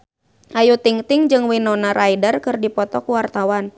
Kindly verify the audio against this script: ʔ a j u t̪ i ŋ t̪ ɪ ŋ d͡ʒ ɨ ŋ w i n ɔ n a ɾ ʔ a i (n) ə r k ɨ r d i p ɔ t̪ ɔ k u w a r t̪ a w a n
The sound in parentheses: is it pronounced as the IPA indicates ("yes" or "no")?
no